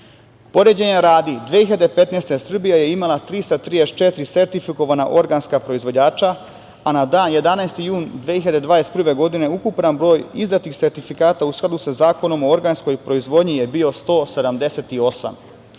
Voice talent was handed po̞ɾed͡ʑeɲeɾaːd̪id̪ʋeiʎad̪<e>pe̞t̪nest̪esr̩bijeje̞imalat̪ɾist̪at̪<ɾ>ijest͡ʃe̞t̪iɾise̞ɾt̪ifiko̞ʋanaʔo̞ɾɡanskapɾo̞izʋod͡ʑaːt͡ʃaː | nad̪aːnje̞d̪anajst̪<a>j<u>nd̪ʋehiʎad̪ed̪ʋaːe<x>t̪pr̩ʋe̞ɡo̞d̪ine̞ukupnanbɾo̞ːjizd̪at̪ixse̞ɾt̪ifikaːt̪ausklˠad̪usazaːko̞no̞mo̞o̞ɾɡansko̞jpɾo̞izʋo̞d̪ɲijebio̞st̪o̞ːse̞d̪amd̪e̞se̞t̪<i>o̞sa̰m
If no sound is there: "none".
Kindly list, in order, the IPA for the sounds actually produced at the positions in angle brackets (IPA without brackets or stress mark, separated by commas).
e, ɾ, i, uː, s, i